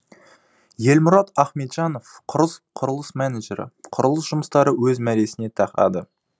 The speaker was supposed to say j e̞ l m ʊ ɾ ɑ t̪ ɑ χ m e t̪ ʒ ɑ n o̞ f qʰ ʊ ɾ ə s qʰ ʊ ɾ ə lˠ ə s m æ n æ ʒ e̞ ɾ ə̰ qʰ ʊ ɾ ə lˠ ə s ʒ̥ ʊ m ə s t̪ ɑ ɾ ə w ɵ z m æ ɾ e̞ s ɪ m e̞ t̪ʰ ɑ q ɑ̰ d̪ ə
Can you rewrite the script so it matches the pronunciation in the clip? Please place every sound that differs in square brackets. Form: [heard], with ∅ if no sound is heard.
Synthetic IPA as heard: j e̞ l m ʊ ɾ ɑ t̪ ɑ χ m e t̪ ʒ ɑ n o̞ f qʰ ʊ ɾ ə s qʰ ʊ ɾ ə lˠ ə s m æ n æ ʒ e̞ ɾ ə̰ qʰ ʊ ɾ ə lˠ ə s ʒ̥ ʊ m ə s t̪ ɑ ɾ ə w ɵ z m æ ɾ e̞ s ɪ [n] e̞ t̪ʰ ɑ q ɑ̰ d̪ ə